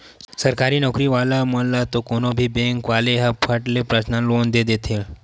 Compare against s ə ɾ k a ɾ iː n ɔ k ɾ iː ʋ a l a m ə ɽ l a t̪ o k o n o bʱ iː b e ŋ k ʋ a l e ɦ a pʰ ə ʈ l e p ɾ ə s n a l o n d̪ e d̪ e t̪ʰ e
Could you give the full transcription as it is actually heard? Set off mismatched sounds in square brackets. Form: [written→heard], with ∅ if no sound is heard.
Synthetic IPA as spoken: s ə ɾ k a ɾ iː n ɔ k ɾ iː ʋ a l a m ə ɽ l a t̪ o k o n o bʱ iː b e ŋ k ʋ a l e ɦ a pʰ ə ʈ l e p ɾ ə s n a l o n d̪ e d̪ e t̪ʰ e